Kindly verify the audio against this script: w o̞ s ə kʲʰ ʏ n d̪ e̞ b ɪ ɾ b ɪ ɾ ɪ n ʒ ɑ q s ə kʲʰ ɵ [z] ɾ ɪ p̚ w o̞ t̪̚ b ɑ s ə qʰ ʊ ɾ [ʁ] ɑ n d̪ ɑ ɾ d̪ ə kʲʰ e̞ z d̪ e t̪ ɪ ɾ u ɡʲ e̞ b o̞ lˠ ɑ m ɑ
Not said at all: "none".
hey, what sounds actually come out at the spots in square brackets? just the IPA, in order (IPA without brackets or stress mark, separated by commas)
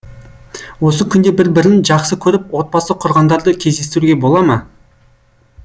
none, ʁ